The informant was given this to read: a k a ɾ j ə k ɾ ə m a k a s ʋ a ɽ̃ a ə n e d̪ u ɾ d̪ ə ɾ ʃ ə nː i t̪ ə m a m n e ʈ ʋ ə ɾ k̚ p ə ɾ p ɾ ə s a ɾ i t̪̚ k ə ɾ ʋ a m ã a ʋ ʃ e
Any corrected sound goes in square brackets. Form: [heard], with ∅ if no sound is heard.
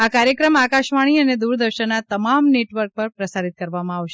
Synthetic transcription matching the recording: a k a ɾ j ə k ɾ ə m a k a [ʃ] ʋ a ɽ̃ [i] ə n e d̪ u ɾ d̪ ə ɾ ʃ ə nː [a] t̪ ə m a m n e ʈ ʋ ə ɾ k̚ p ə ɾ p ɾ ə s a ɾ i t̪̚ k ə ɾ ʋ a m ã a ʋ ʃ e